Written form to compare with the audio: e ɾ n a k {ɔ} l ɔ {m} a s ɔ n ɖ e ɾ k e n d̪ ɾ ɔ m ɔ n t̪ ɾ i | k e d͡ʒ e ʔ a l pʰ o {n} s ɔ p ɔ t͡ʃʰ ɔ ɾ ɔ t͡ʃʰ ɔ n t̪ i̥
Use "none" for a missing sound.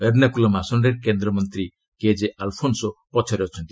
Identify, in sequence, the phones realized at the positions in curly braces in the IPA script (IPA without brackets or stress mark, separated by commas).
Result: u, m, n